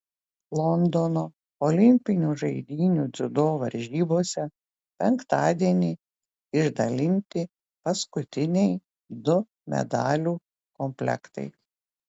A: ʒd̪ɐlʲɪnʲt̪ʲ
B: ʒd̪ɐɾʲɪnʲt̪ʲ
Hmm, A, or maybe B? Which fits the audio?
A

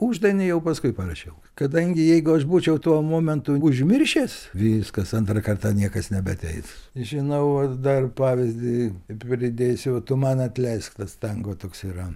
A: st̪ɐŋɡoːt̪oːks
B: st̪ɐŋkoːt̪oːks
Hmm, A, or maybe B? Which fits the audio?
A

